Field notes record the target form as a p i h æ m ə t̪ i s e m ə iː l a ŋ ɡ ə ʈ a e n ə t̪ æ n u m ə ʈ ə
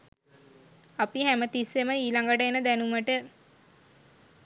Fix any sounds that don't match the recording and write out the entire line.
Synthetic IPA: a p i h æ m ə t̪ i s e m ə iː l a ŋ ɡ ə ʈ ə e n ə d̪ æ n u m ə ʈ ə